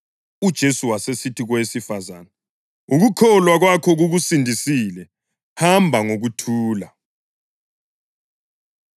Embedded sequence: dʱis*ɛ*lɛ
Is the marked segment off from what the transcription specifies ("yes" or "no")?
yes